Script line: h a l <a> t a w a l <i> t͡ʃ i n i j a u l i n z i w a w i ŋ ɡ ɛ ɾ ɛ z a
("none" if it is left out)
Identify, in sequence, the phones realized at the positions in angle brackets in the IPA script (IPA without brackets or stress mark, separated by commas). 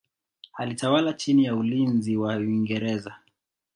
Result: i, a